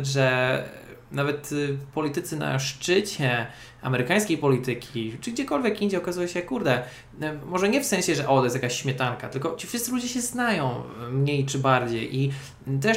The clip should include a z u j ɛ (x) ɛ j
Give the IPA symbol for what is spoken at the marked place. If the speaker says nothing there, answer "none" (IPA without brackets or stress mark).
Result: ɕ